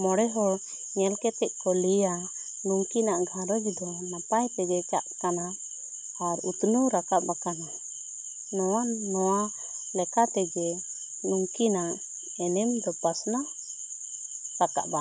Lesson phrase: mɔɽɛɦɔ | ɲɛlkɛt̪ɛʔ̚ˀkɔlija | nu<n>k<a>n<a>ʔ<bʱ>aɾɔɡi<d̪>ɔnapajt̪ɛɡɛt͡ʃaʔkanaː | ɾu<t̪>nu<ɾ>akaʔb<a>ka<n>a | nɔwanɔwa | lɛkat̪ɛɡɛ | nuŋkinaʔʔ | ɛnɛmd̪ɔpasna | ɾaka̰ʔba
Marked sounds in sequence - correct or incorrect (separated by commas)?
incorrect, incorrect, correct, incorrect, correct, correct, correct, correct, correct